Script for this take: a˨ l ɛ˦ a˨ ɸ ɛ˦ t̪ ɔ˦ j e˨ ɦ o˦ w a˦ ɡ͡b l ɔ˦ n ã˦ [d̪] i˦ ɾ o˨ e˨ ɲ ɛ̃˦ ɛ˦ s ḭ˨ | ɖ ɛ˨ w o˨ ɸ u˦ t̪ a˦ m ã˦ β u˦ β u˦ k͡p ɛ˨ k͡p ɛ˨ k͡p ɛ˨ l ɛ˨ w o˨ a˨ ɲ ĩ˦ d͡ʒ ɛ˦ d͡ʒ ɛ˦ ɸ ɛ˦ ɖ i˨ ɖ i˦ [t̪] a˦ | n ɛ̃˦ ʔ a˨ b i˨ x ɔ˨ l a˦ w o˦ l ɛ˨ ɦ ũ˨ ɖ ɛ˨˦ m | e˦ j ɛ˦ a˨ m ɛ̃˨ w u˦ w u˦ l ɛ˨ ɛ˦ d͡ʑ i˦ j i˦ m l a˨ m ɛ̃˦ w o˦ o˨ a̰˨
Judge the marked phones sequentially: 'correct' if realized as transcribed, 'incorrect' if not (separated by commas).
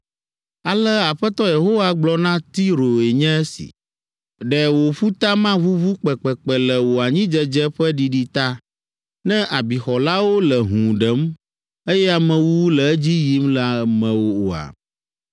incorrect, correct